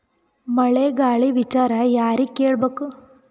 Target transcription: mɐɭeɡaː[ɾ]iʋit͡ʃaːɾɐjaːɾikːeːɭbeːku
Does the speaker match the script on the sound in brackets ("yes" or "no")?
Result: no